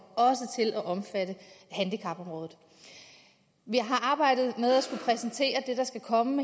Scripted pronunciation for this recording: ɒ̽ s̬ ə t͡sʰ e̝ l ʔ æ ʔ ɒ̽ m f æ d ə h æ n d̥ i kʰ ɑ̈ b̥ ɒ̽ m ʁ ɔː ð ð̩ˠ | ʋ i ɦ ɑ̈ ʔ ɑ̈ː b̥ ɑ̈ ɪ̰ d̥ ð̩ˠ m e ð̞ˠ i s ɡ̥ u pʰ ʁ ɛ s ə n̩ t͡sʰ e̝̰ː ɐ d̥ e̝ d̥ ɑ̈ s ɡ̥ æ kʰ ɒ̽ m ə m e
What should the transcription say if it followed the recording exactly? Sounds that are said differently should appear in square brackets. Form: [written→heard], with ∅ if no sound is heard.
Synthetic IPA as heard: ɒ̽ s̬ ə t͡sʰ e̝ l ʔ æ ʔ ɒ̽ m f æ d ə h æ n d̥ i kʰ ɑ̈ b̥ ɒ̽ m ʁ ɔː ð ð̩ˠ | ʋ i ɦ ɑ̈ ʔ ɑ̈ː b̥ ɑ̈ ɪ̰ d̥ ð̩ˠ m e ð̞ˠ [i→æ] s ɡ̥ u pʰ ʁ ɛ s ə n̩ t͡sʰ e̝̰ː ɐ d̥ e̝ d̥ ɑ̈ s ɡ̥ æ kʰ ɒ̽ m ə m e